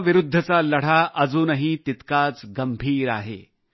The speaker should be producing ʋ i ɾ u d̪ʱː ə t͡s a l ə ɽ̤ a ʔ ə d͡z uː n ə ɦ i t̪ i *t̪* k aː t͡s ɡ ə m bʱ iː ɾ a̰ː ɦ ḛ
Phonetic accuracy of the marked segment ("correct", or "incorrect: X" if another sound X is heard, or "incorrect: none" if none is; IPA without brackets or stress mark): correct